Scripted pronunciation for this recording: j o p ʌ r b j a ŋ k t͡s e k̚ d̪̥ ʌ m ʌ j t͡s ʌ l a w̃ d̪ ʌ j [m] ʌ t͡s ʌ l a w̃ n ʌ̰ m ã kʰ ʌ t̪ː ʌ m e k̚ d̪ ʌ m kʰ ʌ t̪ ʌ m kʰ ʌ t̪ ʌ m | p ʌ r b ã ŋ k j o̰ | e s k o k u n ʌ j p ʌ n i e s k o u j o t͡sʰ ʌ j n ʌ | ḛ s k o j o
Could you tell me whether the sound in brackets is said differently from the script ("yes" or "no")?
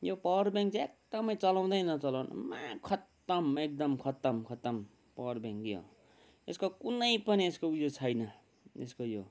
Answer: yes